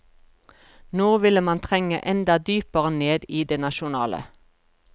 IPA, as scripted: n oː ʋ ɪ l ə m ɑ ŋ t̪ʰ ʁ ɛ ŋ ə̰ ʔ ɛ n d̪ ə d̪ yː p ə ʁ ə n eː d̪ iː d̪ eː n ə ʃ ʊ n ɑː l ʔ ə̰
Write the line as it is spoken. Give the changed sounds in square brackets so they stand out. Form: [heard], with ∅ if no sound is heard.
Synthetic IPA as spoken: n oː ʋ ɪ l ə m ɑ [n] t̪ʰ ʁ ɛ ŋ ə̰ ʔ ɛ n d̪ [ɑ] d̪ yː p ə ʁ ə n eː d̪ iː d̪ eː n [ɑ] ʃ ʊ n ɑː l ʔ ə̰